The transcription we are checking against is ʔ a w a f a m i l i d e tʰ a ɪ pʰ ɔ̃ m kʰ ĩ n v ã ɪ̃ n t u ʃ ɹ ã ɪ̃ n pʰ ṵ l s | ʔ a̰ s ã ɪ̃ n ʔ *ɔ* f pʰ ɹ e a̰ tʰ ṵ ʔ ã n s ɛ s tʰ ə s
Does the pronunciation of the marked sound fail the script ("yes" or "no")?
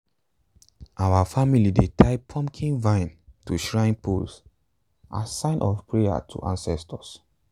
no